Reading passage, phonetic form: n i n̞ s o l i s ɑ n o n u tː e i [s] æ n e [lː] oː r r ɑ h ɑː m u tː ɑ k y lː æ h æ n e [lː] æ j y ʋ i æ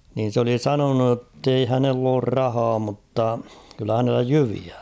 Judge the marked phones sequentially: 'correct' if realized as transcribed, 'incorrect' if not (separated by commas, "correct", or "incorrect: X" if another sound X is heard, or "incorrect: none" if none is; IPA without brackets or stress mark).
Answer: incorrect: h, correct, correct